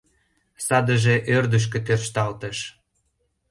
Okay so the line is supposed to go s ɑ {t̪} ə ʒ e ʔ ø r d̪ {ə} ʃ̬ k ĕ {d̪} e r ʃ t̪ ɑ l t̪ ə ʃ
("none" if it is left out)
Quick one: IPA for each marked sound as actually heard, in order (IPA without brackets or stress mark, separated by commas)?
d̪, ə, t̪